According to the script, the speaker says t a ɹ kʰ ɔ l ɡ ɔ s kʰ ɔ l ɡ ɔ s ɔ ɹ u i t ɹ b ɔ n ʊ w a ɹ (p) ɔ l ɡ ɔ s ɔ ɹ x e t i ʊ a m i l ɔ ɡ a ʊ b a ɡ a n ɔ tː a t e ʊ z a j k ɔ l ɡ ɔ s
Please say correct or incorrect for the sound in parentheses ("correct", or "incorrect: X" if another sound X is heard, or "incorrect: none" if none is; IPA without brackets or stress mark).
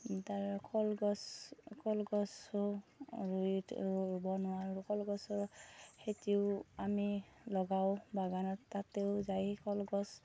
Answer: incorrect: k